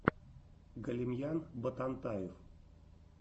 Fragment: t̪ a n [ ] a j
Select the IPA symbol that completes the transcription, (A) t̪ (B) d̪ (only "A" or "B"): A